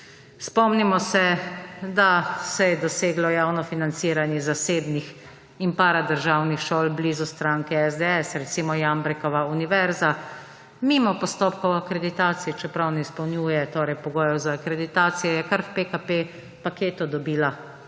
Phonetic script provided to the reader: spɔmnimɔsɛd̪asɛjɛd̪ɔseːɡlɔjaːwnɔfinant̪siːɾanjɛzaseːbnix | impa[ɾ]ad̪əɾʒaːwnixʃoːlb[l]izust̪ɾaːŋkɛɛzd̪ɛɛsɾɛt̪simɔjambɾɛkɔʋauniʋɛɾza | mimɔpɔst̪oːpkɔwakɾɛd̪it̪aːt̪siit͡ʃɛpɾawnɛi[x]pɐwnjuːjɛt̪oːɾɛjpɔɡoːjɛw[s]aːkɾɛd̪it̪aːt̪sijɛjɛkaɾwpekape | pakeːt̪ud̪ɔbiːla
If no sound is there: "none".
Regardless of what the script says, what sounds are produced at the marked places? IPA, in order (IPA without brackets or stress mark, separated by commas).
ɾ, l, s, z